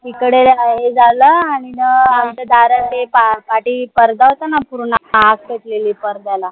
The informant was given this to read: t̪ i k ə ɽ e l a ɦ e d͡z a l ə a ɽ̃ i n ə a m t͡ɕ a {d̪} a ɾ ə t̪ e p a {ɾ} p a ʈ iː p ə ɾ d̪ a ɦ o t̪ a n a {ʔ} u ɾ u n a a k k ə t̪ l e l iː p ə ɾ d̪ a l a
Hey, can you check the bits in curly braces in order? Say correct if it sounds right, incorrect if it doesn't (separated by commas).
correct, incorrect, incorrect